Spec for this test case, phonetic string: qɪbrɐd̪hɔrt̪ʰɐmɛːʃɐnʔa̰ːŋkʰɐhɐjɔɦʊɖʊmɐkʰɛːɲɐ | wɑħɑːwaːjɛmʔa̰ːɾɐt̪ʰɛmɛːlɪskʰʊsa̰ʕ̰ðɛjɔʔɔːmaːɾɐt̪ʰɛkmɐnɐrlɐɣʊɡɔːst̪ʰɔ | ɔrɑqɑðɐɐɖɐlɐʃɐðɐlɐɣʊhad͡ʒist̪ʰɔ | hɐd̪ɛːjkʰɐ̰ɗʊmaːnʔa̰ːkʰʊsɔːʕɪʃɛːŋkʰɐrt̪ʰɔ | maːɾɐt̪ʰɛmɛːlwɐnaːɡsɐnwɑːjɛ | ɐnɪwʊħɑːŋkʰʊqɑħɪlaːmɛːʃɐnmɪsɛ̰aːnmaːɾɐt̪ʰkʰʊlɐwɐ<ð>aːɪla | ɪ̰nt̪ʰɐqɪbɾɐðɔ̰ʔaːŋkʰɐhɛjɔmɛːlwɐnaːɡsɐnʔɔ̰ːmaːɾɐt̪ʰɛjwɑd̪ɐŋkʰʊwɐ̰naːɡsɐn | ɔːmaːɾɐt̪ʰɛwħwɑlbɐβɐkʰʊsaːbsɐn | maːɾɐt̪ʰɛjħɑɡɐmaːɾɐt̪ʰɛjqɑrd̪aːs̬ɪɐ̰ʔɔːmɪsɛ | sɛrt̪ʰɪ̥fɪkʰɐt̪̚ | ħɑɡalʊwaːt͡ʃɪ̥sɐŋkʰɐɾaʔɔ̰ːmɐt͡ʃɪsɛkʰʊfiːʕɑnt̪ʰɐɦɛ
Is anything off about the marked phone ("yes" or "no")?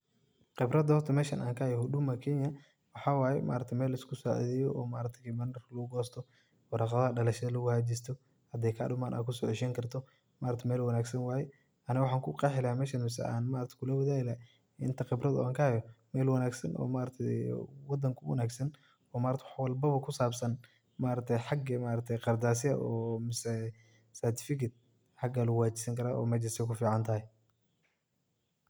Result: no